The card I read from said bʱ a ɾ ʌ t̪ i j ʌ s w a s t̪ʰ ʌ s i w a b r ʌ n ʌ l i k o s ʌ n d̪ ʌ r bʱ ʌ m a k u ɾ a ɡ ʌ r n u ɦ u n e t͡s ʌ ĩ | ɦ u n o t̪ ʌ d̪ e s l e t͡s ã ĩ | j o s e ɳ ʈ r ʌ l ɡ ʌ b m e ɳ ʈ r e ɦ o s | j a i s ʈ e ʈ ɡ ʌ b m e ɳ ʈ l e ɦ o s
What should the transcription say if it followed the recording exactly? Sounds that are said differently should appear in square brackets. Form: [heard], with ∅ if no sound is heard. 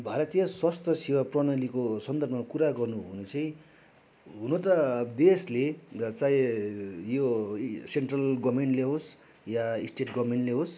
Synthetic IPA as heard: bʱ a ɾ ʌ t̪ i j ʌ s w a s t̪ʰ ʌ s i w a [p] r ʌ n ʌ l i k o s ʌ n d̪ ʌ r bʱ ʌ m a k u ɾ a ɡ ʌ r n u ɦ u n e t͡s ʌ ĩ | ɦ u n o t̪ ʌ d̪ e s l e t͡s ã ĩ | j o s e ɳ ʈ r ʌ l ɡ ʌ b m e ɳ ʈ [l] e ɦ o s | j a i s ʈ e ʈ ɡ ʌ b m e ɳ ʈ l e ɦ o s